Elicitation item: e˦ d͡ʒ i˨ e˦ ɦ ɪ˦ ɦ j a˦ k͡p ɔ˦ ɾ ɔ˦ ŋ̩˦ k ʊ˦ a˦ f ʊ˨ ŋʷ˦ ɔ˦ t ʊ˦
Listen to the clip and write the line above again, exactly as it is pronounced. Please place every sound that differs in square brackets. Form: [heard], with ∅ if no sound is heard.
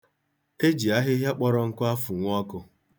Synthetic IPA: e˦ d͡ʒ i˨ [a˦] ɦ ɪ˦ ɦ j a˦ k͡p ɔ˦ ɾ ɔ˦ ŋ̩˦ k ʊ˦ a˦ f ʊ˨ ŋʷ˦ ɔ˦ [k] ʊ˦